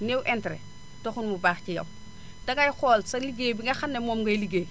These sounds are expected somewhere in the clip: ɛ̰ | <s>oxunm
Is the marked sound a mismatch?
yes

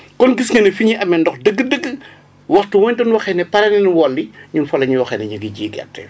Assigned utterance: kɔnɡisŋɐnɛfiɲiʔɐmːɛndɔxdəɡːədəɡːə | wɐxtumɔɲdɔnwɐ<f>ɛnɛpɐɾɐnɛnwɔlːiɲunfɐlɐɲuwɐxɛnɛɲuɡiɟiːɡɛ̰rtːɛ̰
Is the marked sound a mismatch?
yes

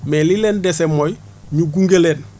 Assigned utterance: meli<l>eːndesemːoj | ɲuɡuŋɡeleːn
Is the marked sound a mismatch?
no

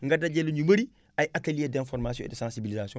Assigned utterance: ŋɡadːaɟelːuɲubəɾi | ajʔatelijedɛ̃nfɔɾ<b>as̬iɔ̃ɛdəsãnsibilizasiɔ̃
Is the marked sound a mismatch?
yes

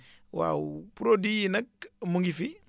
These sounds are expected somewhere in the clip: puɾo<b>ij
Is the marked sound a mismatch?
yes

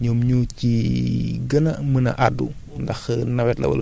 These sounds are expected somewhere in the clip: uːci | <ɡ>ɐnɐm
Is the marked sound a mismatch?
no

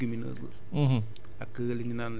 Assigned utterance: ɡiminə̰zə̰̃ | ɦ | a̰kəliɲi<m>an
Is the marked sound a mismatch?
yes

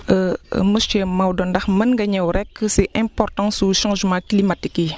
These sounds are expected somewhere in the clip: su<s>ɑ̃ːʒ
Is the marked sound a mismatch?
yes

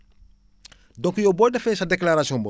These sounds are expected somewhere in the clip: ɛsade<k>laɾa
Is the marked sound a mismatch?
no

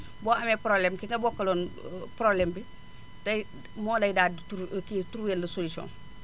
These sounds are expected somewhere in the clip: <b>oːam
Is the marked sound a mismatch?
no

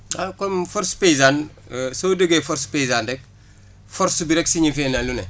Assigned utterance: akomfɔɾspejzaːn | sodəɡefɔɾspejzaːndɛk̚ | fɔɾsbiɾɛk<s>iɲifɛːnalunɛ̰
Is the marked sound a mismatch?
no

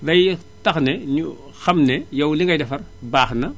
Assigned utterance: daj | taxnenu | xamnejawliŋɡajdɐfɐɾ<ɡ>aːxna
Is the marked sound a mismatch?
yes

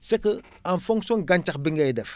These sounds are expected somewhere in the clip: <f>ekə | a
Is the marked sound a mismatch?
yes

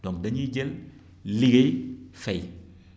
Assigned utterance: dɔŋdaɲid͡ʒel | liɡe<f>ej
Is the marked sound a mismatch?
no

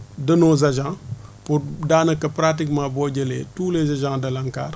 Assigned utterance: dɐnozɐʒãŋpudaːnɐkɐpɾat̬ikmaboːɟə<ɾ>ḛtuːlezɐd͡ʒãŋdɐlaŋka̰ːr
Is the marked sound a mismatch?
yes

